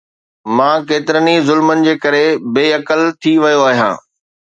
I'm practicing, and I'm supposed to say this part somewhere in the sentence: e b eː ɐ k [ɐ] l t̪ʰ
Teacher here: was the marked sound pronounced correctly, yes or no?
no